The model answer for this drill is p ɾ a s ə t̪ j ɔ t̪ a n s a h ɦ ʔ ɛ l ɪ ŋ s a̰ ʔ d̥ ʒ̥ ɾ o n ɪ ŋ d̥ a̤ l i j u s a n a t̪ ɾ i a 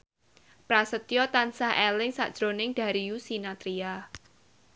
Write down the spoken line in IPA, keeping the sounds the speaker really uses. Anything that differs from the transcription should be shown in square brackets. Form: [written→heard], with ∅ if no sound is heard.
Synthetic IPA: p ɾ a s ə t̪ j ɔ t̪ a n s a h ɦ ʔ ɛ l ɪ ŋ s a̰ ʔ d̥ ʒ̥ ɾ o n ɪ ŋ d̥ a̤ [l→ɾ] i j u s [a→i] n a t̪ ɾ i a